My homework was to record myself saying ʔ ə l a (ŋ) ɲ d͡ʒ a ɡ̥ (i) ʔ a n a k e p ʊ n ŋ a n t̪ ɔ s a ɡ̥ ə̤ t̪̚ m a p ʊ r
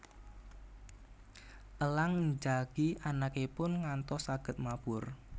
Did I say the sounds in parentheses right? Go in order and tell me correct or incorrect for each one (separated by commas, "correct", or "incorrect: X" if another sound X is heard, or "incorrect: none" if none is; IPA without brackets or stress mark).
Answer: correct, correct